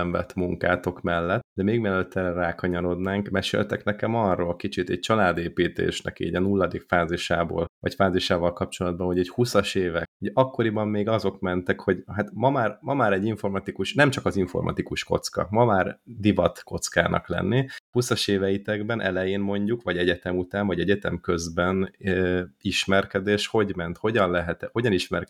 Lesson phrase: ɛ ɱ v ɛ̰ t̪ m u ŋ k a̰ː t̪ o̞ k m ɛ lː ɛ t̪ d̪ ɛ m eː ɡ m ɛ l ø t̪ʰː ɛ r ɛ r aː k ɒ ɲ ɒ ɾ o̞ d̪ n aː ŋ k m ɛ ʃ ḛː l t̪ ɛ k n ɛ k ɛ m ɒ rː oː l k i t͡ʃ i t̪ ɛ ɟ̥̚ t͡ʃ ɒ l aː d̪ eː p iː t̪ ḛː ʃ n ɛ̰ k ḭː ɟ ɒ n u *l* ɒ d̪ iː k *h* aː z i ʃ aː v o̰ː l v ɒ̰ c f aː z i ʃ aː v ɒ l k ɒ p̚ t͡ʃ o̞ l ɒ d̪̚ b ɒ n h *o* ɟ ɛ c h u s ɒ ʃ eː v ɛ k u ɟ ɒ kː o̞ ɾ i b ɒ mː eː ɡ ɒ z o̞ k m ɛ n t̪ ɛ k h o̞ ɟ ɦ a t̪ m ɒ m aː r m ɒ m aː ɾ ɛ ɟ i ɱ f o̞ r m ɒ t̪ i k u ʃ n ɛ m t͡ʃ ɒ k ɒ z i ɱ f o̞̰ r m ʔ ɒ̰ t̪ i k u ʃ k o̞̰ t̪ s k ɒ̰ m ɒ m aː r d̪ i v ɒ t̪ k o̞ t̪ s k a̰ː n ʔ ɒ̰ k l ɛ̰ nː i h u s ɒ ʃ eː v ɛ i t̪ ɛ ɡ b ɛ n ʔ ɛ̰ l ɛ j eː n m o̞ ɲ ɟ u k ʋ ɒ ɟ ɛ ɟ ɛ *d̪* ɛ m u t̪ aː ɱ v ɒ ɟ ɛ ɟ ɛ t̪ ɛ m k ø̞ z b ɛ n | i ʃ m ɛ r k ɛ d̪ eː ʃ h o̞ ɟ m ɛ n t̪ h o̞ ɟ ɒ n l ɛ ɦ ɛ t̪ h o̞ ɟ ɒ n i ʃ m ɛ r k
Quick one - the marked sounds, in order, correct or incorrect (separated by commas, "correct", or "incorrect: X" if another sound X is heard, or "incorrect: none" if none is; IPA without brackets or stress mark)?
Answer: incorrect: lː, incorrect: f, correct, incorrect: t̪